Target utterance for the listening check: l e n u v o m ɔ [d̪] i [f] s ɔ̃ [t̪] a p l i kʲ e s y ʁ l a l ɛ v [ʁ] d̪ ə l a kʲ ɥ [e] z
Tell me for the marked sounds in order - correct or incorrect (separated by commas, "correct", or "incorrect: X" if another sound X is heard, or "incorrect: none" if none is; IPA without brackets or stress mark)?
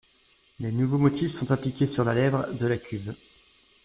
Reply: incorrect: t̪, correct, correct, correct, incorrect: i